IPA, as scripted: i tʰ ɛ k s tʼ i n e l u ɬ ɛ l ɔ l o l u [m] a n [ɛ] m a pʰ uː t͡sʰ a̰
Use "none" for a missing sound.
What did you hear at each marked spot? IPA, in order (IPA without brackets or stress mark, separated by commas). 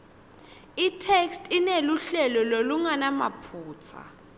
ŋ, a